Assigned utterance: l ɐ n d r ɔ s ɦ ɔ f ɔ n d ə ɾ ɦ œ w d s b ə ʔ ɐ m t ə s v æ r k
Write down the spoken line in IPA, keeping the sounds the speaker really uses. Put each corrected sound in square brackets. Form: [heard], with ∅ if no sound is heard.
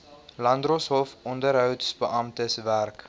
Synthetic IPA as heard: l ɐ n d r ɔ s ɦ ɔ f ɔ n d ə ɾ ɦ œ w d s b ə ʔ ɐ m t ə s v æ r k